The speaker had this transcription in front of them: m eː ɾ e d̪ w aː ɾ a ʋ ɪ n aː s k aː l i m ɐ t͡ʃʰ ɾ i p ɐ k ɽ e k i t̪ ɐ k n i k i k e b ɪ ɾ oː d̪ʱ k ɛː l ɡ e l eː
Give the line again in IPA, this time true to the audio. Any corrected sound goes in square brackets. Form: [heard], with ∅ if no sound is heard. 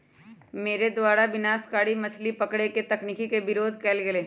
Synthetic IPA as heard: m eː ɾ e d̪ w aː ɾ a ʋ ɪ n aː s k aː [ɽ] i m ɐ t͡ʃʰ [l] i p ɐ k ɽ e k [e] t̪ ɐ k n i k i k e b ɪ ɾ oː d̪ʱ k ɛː l ɡ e l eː